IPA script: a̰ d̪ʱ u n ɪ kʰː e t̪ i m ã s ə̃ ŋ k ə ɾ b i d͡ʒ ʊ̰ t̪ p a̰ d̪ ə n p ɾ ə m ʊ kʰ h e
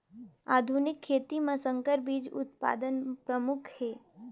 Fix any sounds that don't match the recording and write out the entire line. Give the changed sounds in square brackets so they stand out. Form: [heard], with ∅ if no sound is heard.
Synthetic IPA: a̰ d̪ʱ u n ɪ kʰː e t̪ i m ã s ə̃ ŋ k ə ɾ b i d͡ʒ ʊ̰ t̪ p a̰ d̪ ə n p ɾ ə m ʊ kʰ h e